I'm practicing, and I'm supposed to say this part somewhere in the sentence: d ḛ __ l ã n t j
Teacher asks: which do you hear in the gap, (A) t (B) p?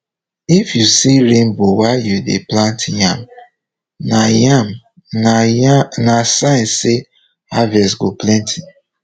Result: B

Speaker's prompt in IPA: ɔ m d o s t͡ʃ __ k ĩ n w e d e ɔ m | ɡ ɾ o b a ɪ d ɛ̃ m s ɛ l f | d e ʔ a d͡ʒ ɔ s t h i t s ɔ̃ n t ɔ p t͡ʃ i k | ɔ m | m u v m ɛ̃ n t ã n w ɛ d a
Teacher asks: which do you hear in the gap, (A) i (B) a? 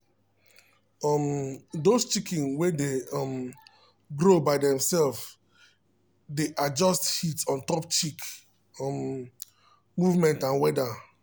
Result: A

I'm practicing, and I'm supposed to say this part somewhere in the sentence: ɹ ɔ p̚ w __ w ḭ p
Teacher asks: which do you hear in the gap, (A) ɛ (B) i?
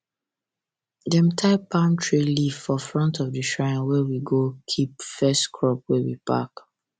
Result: A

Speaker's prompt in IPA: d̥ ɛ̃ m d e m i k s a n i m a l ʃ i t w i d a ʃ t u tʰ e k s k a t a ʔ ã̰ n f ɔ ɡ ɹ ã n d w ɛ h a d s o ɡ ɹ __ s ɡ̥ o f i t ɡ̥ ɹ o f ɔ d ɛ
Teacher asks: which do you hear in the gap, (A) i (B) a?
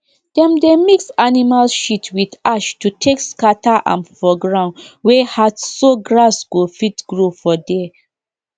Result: B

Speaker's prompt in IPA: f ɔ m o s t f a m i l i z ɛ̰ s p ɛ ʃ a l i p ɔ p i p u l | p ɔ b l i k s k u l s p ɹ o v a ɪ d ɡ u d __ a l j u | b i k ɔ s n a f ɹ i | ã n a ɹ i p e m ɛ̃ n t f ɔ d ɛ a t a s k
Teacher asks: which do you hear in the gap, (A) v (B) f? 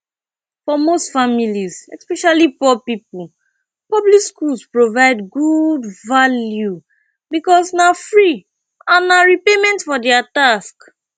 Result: A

